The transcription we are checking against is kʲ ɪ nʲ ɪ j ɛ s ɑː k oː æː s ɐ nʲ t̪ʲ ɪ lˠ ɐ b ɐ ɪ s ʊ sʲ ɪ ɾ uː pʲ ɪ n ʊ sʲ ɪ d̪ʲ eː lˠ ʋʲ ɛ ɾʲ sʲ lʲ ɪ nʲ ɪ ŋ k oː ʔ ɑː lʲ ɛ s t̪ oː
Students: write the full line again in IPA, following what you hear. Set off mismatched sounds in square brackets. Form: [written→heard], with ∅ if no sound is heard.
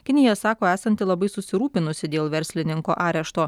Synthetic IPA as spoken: kʲ ɪ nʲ ɪ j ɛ s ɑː k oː æː s ɐ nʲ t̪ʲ ɪ lˠ ɐ b ɐ ɪ s ʊ sʲ ɪ ɾ uː pʲ ɪ n ʊ sʲ ɪ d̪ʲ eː lˠ ʋʲ ɛ ɾʲ sʲ lʲ ɪ nʲ ɪ ŋ k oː ʔ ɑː [lʲ→ɾʲ] ɛ [s→ʃ] t̪ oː

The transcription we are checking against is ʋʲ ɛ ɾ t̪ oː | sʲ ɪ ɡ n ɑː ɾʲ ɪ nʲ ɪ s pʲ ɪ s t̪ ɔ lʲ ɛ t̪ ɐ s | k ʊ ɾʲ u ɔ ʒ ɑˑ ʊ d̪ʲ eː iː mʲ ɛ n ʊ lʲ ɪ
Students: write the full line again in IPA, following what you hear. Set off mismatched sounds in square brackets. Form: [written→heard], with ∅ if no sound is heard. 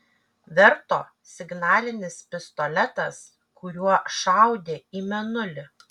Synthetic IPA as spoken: ʋʲ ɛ ɾ t̪ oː | sʲ ɪ ɡ n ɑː [ɾʲ→lʲ] ɪ nʲ ɪ s pʲ ɪ s t̪ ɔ lʲ ɛ t̪ ɐ s | k ʊ ɾʲ u ɔ [ʒ→ʃ] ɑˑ ʊ d̪ʲ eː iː mʲ ɛ n ʊ lʲ ɪ

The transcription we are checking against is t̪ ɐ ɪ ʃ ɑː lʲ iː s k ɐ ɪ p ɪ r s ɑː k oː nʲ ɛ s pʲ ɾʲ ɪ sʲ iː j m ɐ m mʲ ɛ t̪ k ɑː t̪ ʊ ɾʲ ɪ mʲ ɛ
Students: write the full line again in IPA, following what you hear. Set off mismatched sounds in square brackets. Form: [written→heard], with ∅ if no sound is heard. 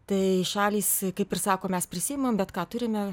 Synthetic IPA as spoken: t̪ ɐ ɪ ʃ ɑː lʲ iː s k ɐ ɪ p ɪ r s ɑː k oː [nʲ→mʲ] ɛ s pʲ ɾʲ ɪ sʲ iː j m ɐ m [mʲ→bʲ] ɛ t̪ k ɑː t̪ ʊ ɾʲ ɪ mʲ ɛ

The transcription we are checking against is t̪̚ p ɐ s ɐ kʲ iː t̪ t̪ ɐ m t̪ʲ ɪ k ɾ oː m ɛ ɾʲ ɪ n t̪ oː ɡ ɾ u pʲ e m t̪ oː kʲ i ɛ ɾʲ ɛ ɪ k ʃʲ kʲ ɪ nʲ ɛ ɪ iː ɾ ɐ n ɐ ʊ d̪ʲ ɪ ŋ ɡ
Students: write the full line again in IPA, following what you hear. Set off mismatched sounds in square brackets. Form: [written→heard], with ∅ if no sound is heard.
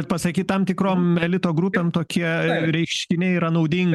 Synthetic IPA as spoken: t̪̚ p ɐ s ɐ kʲ iː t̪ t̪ ɐ m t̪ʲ ɪ k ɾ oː m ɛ [ɾʲ→lʲ] ɪ [n→∅] t̪ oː ɡ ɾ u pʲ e m t̪ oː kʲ i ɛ ɾʲ ɛ ɪ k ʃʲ kʲ ɪ nʲ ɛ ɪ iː ɾ ɐ n ɐ ʊ d̪ʲ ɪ ŋ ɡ

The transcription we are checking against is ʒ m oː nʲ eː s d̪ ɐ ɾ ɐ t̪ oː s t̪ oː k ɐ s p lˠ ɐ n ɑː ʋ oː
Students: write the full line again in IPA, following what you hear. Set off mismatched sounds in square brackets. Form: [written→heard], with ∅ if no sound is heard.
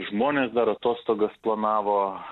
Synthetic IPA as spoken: ʒ m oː nʲ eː s d̪ ɐ ɾ ɐ t̪ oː s t̪ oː [k→ɡ] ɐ s p lˠ ɐ n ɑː ʋ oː

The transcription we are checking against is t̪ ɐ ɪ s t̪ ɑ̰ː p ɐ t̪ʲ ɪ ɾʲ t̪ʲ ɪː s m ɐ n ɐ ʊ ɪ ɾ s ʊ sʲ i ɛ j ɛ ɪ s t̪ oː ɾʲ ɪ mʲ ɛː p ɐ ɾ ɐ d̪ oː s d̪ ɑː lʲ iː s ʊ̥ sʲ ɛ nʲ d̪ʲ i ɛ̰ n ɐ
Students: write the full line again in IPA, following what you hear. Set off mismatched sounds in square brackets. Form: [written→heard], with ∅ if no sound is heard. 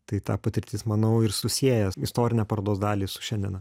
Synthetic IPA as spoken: t̪ ɐ ɪ [s→∅] t̪ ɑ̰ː p ɐ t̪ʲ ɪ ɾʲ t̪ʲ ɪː s m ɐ n ɐ ʊ ɪ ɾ s ʊ sʲ i ɛ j ɛ ɪ s t̪ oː ɾʲ ɪ [mʲ→nʲ] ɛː p ɐ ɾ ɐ d̪ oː s d̪ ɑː lʲ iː s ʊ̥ [sʲ→ʃʲ] ɛ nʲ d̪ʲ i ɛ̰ n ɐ

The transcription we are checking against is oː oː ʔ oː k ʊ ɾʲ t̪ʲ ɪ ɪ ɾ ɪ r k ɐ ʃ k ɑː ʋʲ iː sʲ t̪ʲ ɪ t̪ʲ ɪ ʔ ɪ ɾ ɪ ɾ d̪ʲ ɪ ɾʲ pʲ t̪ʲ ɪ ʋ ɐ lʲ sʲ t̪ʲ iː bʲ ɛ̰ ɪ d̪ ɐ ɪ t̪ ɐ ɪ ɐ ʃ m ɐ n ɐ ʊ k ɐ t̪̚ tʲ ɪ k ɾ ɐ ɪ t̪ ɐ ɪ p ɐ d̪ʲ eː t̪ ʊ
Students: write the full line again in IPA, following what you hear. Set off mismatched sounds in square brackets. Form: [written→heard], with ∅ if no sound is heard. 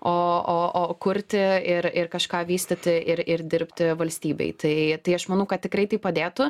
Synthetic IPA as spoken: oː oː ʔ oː k ʊ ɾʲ t̪ʲ ɪ ɪ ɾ ɪ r k ɐ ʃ k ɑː ʋʲ iː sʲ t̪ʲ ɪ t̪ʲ ɪ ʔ ɪ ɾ ɪ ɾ d̪ʲ ɪ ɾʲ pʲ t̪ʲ ɪ ʋ ɐ lʲ sʲ t̪ʲ iː bʲ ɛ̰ ɪ [d̪→t̪] ɐ ɪ t̪ ɐ ɪ ɐ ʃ m ɐ n ɐ ʊ k ɐ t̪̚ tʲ ɪ k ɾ ɐ ɪ t̪ ɐ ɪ p ɐ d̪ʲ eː t̪ ʊ

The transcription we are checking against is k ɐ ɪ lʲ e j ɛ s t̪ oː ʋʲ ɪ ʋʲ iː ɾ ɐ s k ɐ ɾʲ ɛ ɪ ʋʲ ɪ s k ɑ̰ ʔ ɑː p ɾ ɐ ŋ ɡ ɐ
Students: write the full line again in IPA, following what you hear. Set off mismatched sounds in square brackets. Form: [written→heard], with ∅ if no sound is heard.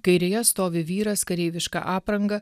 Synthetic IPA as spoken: k ɐ ɪ [lʲ→ɾʲ] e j ɛ s t̪ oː ʋʲ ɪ ʋʲ iː ɾ ɐ s k ɐ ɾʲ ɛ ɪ ʋʲ ɪ [s→ʃ] k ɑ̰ ʔ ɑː p ɾ ɐ ŋ ɡ ɐ

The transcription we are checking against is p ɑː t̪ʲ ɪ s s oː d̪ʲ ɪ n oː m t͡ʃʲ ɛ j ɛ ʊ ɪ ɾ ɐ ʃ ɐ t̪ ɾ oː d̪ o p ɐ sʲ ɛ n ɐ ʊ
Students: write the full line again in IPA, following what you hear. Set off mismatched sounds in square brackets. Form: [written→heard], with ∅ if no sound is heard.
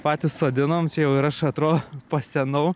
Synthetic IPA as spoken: p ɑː t̪ʲ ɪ s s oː d̪ʲ ɪ n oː m t͡ʃʲ ɛ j ɛ ʊ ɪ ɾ ɐ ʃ ɐ t̪ ɾ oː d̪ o p ɐ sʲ ɛ n ɐ ʊ

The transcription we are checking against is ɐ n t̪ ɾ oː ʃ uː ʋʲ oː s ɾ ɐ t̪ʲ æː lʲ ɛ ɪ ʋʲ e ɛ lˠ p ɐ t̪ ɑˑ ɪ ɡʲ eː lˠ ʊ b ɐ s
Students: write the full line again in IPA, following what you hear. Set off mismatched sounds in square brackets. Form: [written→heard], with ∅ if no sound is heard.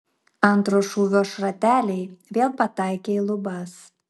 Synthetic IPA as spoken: ɐ n t̪ ɾ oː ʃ uː ʋʲ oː [s→ʃ] ɾ ɐ t̪ʲ æː lʲ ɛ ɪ ʋʲ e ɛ lˠ p ɐ t̪ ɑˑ ɪ [ɡʲ→kʲ] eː lˠ ʊ b ɐ s

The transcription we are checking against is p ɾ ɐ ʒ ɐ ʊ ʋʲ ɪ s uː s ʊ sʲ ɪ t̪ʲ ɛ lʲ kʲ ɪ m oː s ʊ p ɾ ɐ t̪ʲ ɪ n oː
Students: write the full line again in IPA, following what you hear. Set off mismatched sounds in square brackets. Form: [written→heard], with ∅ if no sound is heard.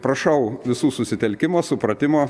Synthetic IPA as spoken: p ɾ ɐ [ʒ→ʃ] ɐ ʊ ʋʲ ɪ s uː s ʊ sʲ ɪ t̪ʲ ɛ lʲ kʲ ɪ m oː s ʊ p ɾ ɐ t̪ʲ ɪ [n→m] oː

